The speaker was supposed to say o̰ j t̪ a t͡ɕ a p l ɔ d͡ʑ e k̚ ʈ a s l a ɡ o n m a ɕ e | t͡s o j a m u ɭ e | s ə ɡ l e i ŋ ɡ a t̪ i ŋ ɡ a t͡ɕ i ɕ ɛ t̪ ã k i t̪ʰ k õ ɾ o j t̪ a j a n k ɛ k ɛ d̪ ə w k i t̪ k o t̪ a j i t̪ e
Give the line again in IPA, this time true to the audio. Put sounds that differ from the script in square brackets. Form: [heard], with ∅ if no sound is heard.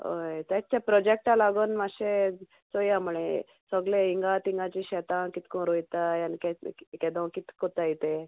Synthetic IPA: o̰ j t̪ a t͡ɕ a p [ɾ] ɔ d͡ʑ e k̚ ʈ a [∅] l a ɡ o n m a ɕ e | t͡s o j a m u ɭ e | s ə ɡ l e i ŋ ɡ a t̪ i ŋ ɡ a t͡ɕ i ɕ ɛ t̪ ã k i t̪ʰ k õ ɾ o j t̪ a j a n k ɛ k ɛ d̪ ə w k i t̪ k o t̪ a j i t̪ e